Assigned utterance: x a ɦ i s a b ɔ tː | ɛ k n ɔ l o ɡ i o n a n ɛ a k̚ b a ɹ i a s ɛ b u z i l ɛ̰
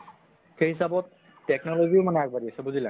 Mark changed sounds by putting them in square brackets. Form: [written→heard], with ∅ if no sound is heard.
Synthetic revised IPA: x [a→e] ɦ i s a b ɔ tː | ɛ k n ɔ l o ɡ i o [n→m] a n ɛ a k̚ b a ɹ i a s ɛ b u z i l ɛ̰